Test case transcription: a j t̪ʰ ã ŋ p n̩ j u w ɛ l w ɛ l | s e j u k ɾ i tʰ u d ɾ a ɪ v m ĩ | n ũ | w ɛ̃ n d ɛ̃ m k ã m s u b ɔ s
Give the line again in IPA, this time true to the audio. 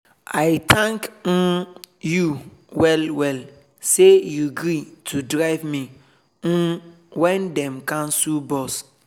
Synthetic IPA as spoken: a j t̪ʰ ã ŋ k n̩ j u w ɛ l w ɛ l | s e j u ɡ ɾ i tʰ u d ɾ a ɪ v m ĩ | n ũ | w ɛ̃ n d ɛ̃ m k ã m s u b ɔ s